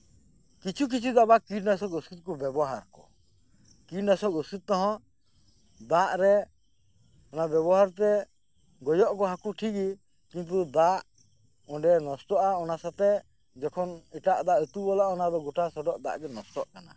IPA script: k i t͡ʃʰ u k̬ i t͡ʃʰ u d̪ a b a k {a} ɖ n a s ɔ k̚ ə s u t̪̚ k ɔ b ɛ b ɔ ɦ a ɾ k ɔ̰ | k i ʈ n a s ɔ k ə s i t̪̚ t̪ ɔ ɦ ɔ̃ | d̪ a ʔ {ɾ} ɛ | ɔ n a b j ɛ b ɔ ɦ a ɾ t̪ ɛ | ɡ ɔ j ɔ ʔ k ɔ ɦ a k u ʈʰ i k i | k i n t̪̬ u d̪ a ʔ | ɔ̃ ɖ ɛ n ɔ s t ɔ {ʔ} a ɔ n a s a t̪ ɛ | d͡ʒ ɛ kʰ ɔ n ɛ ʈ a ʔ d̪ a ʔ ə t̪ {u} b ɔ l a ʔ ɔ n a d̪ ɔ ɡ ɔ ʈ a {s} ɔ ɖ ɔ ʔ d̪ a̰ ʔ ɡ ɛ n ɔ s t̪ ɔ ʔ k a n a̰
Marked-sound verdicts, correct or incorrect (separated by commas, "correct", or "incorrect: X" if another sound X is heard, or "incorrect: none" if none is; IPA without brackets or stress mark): incorrect: i, correct, correct, correct, correct